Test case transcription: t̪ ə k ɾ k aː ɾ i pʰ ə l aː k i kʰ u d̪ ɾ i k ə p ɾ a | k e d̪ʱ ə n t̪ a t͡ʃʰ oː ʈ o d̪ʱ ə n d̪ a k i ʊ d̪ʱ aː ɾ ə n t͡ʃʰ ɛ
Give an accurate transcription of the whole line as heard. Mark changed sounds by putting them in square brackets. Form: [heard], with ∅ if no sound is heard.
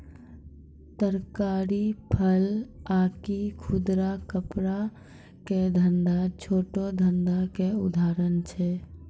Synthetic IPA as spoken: t̪ ə [∅] ɾ k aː ɾ i pʰ ə l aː k i kʰ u d̪ ɾ [a] k ə p ɾ a | k e d̪ʱ ə n [d̪] a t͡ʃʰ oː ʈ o d̪ʱ ə n d̪ a k [e] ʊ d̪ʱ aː ɾ ə n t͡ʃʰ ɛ